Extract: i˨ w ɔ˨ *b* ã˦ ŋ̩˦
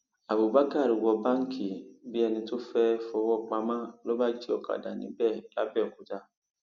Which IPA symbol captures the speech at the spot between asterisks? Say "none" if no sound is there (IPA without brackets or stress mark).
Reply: b